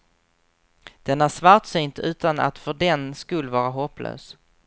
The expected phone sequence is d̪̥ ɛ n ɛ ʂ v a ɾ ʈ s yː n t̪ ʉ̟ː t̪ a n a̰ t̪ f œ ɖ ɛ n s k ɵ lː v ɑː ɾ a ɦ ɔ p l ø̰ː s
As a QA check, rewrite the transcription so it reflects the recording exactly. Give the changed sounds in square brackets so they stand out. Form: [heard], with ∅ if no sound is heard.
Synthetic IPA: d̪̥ ɛ n [æ] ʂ v a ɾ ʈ s yː n t̪ ʉ̟ː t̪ a n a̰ t̪ f œ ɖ ɛ n s k ɵ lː v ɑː ɾ a ɦ ɔ p l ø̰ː s